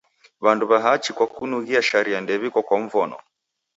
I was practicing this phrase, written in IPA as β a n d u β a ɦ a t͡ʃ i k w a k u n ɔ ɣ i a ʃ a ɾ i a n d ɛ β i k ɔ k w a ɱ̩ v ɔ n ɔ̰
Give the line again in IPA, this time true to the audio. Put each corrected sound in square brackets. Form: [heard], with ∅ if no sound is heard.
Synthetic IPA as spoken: β a n d u β a ɦ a t͡ʃ i k w a k u n [u] ɣ i a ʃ a ɾ i a n d ɛ β i k ɔ k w a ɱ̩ v ɔ n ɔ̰

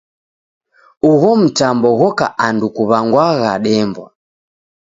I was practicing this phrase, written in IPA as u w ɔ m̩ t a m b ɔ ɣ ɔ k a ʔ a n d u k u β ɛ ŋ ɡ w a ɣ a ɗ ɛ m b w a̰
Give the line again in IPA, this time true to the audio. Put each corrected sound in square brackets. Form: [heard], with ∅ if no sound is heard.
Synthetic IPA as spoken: u [ɣ] ɔ m̩ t a m b ɔ ɣ ɔ k a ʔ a n d u k u β [a] ŋ ɡ w a ɣ a ɗ ɛ m b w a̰

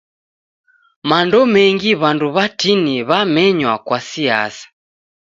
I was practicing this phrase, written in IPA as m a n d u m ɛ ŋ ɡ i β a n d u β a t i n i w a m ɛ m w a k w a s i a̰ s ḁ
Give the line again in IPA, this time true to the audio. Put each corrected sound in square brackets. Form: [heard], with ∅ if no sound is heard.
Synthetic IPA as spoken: m a n d [ɔ] m ɛ ŋ ɡ i β a n d u β a t i n i [β] a m ɛ [ɲ] w a k w a s i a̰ s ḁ

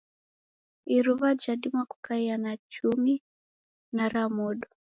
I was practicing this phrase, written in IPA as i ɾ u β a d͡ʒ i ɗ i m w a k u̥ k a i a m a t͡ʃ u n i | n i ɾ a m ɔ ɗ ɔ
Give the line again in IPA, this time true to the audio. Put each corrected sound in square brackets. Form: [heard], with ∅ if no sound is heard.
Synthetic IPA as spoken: i ɾ u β a d͡ʒ [a] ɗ i m w a k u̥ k a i a [n] a t͡ʃ u [m] i | n [a] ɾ a m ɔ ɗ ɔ

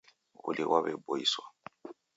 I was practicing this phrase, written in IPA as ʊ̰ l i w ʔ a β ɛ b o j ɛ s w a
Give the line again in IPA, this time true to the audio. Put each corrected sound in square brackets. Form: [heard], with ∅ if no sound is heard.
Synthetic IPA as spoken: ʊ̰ l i w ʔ a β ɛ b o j [i] s w a

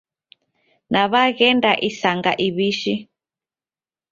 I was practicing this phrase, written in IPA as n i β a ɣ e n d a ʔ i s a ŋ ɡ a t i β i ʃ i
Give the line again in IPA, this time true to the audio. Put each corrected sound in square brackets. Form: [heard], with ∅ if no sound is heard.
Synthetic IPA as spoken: n [a] β a ɣ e n d a ʔ i s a ŋ ɡ a [ʔ] i β i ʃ i

